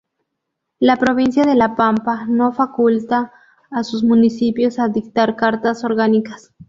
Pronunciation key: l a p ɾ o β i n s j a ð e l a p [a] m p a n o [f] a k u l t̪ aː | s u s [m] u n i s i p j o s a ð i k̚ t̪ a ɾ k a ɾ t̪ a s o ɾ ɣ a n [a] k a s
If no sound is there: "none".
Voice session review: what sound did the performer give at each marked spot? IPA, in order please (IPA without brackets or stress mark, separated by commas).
a, f, m, i